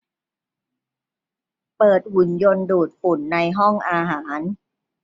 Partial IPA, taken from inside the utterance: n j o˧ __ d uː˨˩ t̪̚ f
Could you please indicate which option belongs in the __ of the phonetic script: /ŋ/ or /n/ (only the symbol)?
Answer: n